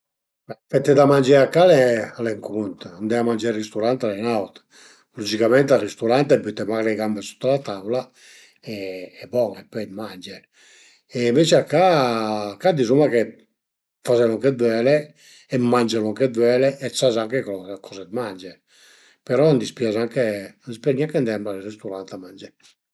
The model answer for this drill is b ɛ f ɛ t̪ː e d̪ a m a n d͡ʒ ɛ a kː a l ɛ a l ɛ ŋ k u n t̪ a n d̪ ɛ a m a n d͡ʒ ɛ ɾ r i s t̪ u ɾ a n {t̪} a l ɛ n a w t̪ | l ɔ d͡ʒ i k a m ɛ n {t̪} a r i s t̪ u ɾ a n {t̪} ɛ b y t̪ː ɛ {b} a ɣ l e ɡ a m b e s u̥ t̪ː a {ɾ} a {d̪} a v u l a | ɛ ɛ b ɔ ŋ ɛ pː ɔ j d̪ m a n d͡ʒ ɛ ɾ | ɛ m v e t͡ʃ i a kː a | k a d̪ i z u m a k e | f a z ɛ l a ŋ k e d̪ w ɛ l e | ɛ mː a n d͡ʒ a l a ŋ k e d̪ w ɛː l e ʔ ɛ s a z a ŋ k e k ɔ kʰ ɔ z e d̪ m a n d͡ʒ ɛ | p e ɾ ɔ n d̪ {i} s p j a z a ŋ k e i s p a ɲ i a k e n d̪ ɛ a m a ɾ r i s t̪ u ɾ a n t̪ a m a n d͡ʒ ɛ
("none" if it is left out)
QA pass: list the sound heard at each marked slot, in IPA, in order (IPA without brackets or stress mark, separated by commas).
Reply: t̪, t̪, t̪, m, l, t̪, i